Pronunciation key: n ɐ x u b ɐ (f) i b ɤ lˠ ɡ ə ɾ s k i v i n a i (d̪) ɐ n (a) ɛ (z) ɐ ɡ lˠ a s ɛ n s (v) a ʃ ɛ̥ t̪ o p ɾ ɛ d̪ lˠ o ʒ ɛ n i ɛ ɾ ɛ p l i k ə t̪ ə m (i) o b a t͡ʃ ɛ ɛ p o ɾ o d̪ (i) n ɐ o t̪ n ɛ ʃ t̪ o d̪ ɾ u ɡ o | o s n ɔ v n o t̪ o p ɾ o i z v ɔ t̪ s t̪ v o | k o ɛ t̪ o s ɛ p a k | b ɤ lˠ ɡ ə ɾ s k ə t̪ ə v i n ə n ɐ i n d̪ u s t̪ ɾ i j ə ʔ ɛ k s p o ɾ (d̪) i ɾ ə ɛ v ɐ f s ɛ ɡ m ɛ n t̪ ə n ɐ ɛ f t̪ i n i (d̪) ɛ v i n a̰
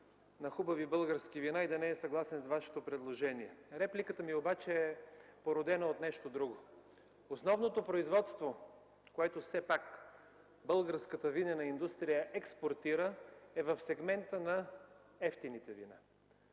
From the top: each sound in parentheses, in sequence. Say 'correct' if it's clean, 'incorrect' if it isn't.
incorrect: v, correct, incorrect: ɛ, incorrect: s, correct, correct, incorrect: ɛ, incorrect: t̪, incorrect: t̪

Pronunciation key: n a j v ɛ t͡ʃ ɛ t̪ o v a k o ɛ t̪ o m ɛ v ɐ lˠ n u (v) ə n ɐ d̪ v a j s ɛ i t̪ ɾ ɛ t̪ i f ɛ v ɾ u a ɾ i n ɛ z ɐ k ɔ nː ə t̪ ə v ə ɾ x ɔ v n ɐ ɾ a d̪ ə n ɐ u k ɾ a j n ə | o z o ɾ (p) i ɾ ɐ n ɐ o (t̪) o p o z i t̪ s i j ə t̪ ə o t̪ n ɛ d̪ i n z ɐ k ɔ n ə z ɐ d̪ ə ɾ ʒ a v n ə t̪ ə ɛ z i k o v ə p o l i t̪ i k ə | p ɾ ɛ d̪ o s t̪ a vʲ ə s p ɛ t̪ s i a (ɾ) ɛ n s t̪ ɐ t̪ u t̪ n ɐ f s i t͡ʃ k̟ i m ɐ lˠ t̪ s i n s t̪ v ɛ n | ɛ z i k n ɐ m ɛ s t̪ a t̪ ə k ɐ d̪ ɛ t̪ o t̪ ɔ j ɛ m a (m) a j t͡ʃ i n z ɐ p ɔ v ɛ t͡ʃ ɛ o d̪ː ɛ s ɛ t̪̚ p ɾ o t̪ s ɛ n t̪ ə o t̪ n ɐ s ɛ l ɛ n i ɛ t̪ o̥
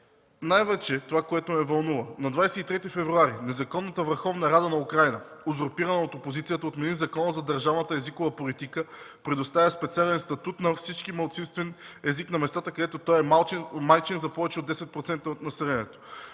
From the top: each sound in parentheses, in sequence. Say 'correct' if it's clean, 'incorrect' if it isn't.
correct, correct, correct, incorrect: l, correct

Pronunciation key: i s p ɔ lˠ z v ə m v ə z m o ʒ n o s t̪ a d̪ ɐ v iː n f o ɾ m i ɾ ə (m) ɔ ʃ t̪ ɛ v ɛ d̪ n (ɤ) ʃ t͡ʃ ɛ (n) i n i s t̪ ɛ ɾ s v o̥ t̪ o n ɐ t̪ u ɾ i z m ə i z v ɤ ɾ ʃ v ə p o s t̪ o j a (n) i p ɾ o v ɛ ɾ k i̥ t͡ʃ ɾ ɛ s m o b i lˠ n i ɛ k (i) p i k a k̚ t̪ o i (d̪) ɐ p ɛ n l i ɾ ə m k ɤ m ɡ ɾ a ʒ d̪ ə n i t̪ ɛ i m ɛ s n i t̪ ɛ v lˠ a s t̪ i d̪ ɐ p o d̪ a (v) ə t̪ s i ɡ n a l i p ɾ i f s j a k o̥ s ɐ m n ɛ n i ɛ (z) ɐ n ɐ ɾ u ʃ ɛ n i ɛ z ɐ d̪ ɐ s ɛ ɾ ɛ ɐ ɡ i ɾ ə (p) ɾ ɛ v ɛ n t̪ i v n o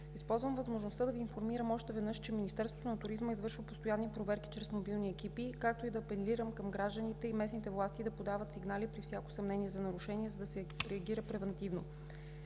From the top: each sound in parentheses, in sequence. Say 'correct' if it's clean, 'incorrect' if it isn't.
correct, correct, incorrect: m, incorrect: nː, correct, correct, correct, correct, correct

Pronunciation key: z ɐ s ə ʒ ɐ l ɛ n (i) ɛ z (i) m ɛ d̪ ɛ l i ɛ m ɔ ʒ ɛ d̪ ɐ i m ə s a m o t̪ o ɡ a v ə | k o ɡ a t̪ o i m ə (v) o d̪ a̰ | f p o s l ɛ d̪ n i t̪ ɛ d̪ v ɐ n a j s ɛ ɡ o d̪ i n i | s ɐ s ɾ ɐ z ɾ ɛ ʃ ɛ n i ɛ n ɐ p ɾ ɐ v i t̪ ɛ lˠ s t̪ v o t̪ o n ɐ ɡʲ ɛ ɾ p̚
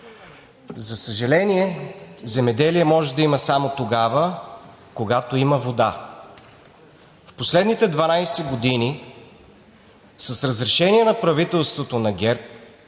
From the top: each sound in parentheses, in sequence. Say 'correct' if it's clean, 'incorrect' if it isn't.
correct, incorrect: ɛ, correct

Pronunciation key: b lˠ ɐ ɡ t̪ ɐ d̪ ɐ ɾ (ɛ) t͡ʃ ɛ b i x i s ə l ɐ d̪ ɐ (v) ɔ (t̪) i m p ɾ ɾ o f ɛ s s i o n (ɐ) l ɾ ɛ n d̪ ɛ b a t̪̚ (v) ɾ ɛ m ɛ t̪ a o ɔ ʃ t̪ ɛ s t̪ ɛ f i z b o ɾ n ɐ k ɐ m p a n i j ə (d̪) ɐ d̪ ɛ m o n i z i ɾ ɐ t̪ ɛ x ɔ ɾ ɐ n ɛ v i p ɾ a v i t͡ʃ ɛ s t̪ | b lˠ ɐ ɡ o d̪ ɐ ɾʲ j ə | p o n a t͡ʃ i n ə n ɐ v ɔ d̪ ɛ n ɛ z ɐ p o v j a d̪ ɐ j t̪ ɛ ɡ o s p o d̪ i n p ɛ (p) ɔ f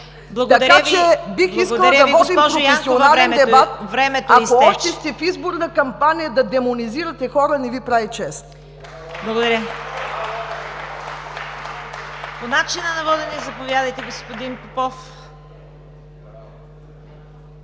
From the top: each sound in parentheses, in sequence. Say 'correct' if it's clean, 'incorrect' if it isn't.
incorrect: a, correct, incorrect: d̪, incorrect: a, correct, correct, correct

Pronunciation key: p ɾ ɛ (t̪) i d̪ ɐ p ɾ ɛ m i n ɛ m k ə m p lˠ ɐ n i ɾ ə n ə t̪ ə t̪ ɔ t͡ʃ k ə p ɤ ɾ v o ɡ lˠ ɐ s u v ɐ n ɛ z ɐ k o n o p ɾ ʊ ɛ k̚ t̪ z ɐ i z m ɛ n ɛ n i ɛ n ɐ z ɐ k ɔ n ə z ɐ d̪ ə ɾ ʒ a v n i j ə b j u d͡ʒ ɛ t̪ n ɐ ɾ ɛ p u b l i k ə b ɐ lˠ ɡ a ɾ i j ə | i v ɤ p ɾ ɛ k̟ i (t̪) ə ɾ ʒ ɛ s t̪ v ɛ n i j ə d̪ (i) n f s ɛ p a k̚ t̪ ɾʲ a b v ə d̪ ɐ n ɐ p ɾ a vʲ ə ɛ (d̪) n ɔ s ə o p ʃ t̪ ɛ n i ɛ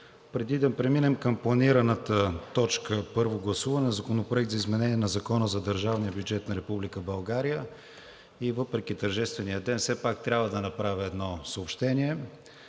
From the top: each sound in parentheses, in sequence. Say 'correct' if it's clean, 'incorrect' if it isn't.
incorrect: d̪, correct, incorrect: ɛ, correct

